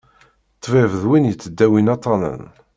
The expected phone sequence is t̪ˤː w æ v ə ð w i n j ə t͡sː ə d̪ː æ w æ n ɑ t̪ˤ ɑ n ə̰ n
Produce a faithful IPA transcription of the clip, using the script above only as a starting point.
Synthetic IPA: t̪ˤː v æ v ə ð w i n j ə t͡sː ə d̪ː æ w i n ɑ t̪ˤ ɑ n ə̰ n